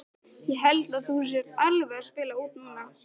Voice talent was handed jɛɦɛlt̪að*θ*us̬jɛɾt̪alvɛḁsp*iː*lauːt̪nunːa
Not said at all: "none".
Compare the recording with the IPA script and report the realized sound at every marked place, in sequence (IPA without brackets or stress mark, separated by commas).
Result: θ, ɪː